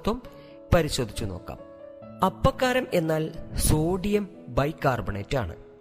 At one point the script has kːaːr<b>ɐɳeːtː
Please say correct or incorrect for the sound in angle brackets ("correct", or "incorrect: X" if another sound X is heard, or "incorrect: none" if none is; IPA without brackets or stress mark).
correct